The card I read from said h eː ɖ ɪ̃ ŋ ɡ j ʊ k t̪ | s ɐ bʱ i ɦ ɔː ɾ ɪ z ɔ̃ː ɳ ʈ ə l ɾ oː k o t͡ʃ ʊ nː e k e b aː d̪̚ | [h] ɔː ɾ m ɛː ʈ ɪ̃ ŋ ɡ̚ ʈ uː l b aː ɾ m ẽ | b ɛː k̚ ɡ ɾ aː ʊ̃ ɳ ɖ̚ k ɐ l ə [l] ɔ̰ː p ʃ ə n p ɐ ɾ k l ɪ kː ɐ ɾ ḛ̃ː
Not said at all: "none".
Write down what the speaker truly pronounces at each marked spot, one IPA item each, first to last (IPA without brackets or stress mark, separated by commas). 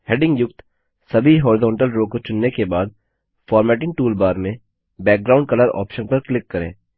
f, ɾ